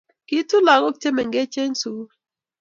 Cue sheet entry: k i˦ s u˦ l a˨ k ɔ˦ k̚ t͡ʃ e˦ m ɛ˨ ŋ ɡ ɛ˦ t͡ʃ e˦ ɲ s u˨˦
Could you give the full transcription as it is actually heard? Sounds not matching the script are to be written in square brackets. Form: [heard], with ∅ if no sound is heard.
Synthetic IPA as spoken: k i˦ [t] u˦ l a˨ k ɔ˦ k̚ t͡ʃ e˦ m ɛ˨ ŋ ɡ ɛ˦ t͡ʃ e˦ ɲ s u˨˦